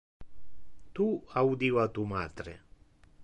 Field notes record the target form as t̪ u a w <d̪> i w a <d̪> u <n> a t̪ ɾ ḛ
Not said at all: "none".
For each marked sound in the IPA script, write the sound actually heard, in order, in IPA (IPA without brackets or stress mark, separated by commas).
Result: d̪, t̪, m